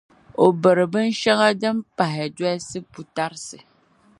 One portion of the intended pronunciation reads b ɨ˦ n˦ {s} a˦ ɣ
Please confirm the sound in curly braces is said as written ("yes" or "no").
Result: no